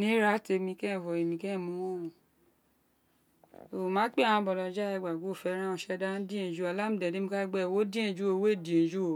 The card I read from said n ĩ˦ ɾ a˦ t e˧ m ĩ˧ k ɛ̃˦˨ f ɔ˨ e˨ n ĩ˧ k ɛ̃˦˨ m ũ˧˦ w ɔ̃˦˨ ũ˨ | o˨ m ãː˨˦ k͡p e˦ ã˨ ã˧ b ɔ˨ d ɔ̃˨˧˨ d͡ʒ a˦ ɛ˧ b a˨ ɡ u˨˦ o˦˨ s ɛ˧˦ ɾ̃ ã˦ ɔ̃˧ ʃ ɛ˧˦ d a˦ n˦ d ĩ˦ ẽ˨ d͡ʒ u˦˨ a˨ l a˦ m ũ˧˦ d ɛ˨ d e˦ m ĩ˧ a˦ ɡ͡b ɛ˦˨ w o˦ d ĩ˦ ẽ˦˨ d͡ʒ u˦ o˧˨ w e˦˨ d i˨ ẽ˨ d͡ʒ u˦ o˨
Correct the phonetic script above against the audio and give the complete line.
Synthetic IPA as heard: n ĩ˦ ɾ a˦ t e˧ m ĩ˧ k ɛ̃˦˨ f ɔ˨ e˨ m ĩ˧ k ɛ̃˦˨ m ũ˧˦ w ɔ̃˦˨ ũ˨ | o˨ m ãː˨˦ k͡p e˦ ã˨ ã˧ b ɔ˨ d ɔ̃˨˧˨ d͡ʒ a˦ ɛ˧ ɡ͡b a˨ ɡ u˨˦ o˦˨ f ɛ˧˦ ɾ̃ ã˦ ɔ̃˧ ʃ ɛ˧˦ d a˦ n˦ d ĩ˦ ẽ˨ d͡ʒ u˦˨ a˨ l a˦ m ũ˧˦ d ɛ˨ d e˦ m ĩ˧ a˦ ɡ͡b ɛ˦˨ w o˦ d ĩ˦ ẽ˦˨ d͡ʒ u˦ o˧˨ w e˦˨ d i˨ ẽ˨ d͡ʒ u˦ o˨